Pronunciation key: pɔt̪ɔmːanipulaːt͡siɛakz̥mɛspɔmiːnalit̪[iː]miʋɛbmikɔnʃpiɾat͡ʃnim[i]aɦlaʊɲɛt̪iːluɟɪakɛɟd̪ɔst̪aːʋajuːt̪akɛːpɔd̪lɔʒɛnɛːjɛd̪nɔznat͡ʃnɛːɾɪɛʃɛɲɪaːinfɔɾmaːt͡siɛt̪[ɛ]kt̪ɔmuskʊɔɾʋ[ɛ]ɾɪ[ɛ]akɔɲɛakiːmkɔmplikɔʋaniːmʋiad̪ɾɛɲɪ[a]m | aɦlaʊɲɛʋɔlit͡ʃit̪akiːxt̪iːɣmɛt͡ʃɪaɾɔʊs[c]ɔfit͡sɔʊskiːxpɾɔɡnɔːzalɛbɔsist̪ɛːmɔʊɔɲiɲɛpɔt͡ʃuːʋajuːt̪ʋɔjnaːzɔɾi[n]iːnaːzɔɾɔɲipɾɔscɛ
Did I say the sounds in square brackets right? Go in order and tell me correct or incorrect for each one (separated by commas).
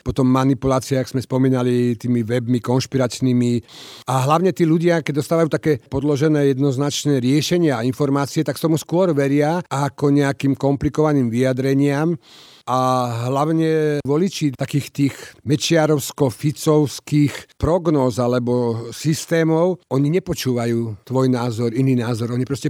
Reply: correct, correct, incorrect, correct, incorrect, correct, incorrect, correct